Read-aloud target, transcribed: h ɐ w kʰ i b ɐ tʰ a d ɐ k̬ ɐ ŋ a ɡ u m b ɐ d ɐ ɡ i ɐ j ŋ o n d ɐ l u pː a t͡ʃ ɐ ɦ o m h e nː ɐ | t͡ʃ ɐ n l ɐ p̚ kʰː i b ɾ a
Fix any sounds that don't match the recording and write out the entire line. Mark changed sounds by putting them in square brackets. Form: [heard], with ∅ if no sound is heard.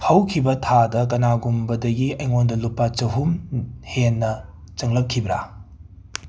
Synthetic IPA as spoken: h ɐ w kʰ i b ɐ tʰ a d ɐ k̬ ɐ [n] a ɡ u m b ɐ d ɐ ɡ i ɐ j ŋ o n d ɐ l u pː a t͡ʃ ɐ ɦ [u] m h e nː ɐ | t͡ʃ ɐ [ŋ] l ɐ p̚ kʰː i b ɾ a